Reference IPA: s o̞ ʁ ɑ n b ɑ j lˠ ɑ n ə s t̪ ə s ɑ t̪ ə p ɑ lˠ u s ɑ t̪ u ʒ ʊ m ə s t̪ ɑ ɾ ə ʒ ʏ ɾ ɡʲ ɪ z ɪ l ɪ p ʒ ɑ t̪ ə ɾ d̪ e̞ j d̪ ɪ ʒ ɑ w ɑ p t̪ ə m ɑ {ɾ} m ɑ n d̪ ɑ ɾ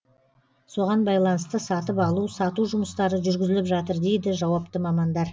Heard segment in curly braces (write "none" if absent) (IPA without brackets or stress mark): none